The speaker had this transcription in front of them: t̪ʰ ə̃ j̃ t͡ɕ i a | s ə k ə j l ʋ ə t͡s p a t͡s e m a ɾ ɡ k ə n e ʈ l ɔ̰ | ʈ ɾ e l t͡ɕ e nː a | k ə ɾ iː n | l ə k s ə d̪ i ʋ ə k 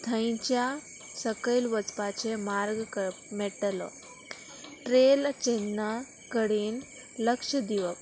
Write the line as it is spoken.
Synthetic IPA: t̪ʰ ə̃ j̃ t͡ɕ j a | s ə k ə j l ʋ ə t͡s p a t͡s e m a ɾ ɡ k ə m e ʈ l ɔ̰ | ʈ ɾ e l t͡ɕ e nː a | k ə ɽ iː n | l ə k ʂ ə d̪ i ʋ ə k